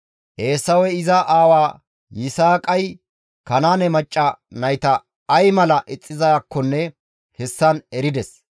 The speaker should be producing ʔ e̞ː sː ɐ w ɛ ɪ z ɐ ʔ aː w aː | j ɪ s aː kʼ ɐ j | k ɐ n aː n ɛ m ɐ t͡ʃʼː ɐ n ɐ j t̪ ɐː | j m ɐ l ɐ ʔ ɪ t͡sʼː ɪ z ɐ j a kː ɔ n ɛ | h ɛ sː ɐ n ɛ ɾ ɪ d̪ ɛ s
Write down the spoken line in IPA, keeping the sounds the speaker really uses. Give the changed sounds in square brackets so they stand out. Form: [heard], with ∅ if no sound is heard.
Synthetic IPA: ʔ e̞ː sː ɐ w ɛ ɪ z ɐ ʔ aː w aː | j ɪ s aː kʼ ɐ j | k ɐ n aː n ɛ m ɐ t͡ʃʼː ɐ n ɐ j t̪ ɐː | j m ɐ l ɐ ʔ ɪ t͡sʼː ɪ z ɐ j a kː ɔ [nː] ɛ | h ɛ sː ɐ n ɛ ɾ ɪ d̪ ɛ s